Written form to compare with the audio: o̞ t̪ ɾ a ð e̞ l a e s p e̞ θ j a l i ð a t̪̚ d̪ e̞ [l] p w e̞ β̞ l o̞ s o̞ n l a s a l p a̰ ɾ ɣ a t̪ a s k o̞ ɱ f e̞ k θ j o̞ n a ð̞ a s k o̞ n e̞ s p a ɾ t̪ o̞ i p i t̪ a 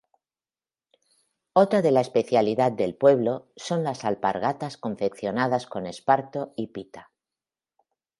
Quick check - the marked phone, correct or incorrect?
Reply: correct